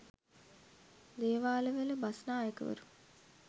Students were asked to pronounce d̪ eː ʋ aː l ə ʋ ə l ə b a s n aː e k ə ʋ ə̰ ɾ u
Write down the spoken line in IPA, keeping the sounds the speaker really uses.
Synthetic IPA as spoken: d̪ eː ʋ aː l ə ʋ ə l ə b a s n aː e k ə ʋ ə̰ ɾ u